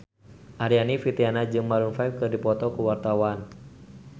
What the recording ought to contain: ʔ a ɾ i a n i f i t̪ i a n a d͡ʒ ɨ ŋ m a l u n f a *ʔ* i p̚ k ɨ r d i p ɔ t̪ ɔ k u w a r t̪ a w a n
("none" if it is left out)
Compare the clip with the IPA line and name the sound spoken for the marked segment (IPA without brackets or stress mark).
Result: none